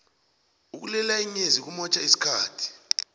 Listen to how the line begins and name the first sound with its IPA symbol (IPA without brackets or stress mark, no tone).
u